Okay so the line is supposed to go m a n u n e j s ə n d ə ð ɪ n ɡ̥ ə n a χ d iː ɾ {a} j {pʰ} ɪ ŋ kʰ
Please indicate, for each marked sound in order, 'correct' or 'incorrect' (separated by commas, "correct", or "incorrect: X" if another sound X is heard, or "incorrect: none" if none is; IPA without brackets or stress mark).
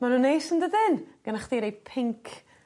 incorrect: e, correct